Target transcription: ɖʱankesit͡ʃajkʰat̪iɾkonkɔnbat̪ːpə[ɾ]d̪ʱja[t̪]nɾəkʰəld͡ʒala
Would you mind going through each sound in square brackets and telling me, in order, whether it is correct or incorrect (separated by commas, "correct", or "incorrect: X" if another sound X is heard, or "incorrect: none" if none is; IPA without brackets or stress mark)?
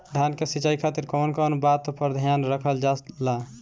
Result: correct, incorrect: none